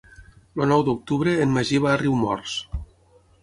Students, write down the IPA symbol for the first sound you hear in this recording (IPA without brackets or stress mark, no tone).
l